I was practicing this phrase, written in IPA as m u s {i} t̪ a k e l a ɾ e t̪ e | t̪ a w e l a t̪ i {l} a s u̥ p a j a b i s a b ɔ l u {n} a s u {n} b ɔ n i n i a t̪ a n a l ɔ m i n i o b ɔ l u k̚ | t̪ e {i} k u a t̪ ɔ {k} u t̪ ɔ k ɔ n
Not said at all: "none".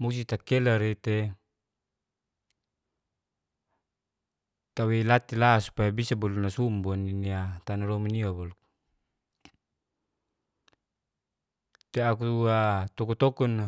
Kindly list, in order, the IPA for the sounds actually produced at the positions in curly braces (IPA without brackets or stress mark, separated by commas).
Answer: i, l, n, m, a, k